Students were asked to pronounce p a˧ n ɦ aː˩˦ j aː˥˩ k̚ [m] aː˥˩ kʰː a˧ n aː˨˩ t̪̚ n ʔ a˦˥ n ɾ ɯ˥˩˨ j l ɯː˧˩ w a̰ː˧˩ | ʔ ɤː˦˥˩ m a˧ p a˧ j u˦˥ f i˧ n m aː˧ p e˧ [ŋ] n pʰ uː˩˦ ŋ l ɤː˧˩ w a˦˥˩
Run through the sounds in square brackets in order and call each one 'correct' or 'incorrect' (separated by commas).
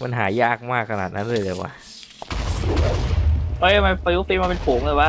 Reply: correct, incorrect